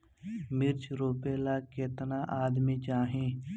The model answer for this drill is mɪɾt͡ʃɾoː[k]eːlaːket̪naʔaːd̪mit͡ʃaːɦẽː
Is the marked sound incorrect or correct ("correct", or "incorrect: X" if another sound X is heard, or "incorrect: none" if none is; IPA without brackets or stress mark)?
incorrect: p